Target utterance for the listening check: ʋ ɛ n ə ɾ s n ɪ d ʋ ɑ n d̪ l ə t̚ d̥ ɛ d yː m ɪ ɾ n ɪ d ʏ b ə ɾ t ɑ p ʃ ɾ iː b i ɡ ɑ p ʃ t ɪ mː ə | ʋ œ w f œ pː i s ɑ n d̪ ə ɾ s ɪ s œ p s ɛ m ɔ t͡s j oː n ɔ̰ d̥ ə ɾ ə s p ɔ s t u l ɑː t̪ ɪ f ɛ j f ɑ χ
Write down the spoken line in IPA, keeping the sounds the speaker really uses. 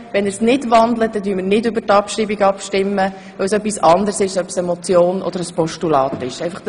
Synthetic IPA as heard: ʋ ɛ n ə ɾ s n ɪ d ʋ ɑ n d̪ l ə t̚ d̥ ɛ d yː m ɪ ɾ n ɪ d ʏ b ə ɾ t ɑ p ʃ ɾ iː b i ɡ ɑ p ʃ t ɪ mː ə | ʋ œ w s œ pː i s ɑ n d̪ ə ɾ s ɪ ʃ œ p s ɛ m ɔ t͡s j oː n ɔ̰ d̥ ə ɾ ə s p ɔ ʃ t u l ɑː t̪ ɪ ʃ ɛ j f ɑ χ